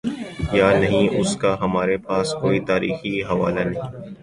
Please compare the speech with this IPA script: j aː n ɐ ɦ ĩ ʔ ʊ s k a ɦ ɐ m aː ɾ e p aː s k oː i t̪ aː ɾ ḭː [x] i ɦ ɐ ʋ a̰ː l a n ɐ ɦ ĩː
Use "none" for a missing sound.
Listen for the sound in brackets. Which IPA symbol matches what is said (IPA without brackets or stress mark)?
x